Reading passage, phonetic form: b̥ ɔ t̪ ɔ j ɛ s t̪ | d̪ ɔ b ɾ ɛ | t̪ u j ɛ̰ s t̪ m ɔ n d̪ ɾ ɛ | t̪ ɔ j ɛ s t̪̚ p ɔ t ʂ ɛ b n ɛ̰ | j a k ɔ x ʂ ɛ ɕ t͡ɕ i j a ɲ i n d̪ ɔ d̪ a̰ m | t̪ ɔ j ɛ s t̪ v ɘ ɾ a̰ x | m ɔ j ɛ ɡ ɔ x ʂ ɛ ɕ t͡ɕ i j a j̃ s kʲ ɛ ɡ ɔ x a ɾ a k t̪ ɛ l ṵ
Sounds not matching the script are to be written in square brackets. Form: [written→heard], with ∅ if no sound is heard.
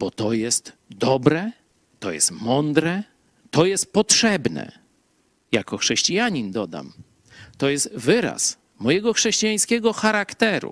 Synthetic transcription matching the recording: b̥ ɔ t̪ ɔ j ɛ s t̪ | d̪ ɔ b ɾ ɛ | t̪ [u→ɔ] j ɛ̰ s t̪ m ɔ n d̪ ɾ ɛ | t̪ ɔ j ɛ s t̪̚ p ɔ t ʂ ɛ b n ɛ̰ | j a k ɔ x ʂ ɛ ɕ t͡ɕ i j a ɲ i n d̪ ɔ d̪ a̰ m | t̪ ɔ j ɛ s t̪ v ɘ ɾ a̰ [x→s] | m ɔ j ɛ ɡ ɔ x ʂ ɛ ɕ t͡ɕ i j a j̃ s kʲ ɛ ɡ ɔ x a ɾ a k t̪ ɛ [l→ɾ] ṵ